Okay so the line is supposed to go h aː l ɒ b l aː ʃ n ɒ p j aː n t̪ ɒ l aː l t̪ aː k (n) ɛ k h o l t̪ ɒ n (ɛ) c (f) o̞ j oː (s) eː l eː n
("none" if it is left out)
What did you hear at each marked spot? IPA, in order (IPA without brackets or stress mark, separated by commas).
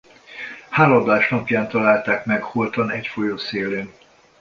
m, ɛ, f, s